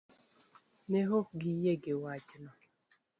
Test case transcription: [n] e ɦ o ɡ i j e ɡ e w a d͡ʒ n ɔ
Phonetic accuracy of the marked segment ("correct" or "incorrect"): correct